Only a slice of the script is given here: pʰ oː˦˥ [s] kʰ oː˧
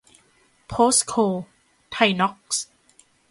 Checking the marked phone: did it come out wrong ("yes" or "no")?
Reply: no